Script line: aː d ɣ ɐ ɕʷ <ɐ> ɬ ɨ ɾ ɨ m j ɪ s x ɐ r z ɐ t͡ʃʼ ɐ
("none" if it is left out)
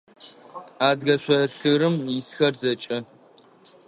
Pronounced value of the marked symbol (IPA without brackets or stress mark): ɐ